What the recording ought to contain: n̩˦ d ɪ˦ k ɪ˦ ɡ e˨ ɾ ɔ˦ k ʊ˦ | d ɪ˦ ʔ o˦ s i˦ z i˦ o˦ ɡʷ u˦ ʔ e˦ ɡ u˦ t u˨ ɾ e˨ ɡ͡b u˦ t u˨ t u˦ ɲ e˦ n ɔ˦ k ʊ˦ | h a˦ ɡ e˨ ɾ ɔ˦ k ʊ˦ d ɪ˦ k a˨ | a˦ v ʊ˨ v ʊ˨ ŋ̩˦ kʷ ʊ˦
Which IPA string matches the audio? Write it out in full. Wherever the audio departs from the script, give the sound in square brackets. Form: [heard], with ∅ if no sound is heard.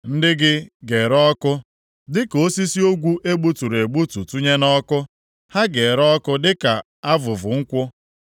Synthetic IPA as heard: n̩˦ d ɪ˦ [ɡ] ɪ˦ ɡ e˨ ɾ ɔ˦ k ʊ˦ | d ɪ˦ [k] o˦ s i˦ [s] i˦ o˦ ɡʷ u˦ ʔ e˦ [ɡ͡b] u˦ t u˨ ɾ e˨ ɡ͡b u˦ t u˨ t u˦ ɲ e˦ n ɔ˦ k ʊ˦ | h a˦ ɡ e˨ ɾ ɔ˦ k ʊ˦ d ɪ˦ k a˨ | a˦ v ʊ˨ v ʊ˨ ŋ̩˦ kʷ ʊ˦